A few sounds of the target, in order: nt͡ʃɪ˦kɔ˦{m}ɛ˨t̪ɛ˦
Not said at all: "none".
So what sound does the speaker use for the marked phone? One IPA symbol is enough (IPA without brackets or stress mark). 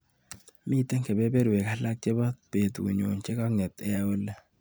ŋ